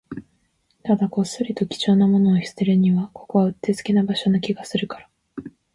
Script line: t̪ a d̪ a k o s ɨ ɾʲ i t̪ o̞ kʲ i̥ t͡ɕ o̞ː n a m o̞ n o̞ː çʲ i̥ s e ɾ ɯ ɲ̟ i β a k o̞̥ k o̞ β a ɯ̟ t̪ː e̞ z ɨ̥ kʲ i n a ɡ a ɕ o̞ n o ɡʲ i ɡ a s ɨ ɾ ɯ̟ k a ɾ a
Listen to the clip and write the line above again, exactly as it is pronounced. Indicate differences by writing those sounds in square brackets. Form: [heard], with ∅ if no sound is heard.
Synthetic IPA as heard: t̪ a d̪ a k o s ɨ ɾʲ i t̪ o̞ kʲ i̥ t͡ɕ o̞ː n a m o̞ n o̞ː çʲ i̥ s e ɾ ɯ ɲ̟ i β a k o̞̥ k o̞ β a ɯ̟ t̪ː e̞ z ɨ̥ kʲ i n a [b] a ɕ o̞ n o [kʲ] i ɡ a s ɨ ɾ ɯ̟ k a ɾ a